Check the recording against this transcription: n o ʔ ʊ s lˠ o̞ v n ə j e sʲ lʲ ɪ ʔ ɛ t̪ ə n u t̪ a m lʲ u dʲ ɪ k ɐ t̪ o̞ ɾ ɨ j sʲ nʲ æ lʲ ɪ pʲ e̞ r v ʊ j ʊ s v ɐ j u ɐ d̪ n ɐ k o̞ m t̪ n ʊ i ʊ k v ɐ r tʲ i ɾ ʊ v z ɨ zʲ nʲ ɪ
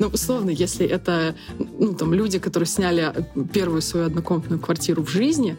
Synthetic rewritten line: n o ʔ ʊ s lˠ o̞ v n ə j e sʲ lʲ ɪ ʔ ɛ t̪ ə n u t̪ a m lʲ u dʲ ɪ k ɐ t̪ o̞ ɾ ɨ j sʲ nʲ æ lʲ ɪ pʲ e̞ r v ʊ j ʊ s v ɐ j u ɐ d̪ n ɐ k o̞ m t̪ n ʊ j ʊ k v ɐ r tʲ i ɾ ʊ v ʐ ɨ zʲ nʲ ɪ